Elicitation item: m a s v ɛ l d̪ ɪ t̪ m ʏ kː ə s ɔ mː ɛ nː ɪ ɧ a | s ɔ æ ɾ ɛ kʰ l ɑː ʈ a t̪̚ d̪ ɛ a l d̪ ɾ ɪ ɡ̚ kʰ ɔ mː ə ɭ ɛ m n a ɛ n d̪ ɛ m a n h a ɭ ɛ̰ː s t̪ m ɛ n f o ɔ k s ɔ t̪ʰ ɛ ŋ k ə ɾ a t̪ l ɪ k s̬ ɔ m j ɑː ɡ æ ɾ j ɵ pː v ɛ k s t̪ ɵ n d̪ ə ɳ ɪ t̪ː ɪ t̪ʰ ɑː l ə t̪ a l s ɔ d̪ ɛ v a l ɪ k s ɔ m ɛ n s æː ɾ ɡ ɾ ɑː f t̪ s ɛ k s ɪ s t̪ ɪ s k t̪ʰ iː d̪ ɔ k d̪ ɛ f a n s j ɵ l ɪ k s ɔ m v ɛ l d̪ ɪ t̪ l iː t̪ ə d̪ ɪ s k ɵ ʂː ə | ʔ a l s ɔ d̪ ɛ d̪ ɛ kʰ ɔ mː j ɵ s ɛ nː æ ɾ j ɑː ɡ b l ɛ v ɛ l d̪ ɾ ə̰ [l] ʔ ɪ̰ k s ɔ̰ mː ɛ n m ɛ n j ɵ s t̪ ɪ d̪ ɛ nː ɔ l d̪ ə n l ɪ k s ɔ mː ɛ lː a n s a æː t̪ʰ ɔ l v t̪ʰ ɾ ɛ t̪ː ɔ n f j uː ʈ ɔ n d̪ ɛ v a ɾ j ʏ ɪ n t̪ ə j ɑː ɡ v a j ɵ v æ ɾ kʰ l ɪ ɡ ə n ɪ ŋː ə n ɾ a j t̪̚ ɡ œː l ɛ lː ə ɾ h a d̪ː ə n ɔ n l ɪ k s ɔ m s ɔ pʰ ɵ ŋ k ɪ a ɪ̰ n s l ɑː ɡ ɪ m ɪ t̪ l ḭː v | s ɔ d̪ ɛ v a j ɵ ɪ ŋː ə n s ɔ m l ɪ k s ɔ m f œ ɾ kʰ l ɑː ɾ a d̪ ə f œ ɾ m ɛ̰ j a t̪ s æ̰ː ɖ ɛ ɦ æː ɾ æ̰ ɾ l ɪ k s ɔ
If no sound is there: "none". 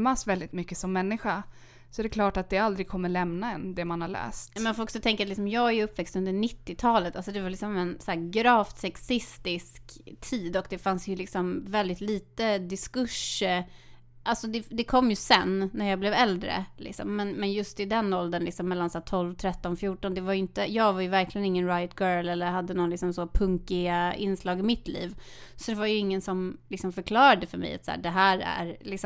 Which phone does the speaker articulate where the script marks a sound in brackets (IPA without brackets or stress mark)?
l